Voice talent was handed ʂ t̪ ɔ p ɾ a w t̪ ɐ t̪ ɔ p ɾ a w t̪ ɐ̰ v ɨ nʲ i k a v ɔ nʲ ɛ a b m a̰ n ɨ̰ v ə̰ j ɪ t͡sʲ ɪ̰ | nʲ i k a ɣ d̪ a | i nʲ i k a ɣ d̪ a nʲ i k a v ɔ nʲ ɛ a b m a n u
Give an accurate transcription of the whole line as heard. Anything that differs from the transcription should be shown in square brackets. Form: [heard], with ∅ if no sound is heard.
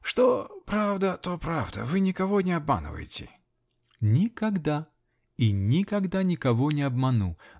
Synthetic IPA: ʂ t̪ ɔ p ɾ a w [d̪] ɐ t̪ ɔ p ɾ a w [d̪] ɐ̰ v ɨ nʲ i k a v ɔ nʲ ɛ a b m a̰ n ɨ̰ v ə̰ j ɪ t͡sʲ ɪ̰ | nʲ i k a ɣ d̪ a | i nʲ i k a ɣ d̪ a nʲ i k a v ɔ nʲ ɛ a b m a n u